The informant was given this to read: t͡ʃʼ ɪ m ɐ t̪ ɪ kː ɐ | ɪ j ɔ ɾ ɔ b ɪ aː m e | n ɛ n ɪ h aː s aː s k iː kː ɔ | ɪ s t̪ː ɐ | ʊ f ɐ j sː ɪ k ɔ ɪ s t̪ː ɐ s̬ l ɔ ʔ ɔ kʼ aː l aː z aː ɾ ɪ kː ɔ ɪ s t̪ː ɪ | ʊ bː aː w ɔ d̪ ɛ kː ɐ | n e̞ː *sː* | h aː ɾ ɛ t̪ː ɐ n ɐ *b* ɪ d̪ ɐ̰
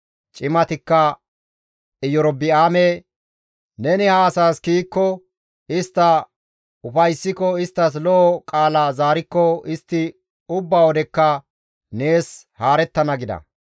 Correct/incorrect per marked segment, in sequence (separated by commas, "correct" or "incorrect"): incorrect, incorrect